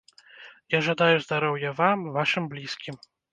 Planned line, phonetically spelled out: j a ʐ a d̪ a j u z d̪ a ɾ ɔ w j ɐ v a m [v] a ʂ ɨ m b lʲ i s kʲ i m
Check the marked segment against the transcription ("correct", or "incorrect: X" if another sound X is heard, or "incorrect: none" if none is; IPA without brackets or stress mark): correct